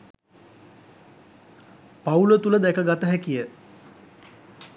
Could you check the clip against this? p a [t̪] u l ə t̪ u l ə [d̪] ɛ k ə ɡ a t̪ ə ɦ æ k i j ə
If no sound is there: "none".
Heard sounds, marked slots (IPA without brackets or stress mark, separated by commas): none, d̪